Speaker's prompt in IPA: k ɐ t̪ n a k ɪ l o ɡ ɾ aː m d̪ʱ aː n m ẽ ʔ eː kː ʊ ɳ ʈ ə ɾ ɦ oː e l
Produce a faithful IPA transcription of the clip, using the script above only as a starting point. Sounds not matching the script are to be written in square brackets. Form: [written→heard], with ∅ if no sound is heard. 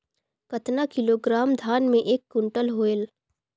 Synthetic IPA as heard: k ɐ t̪ n a k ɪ l o ɡ ɾ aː m d̪ʱ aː n m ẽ ʔ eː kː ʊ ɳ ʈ ə [ɾ→l] ɦ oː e l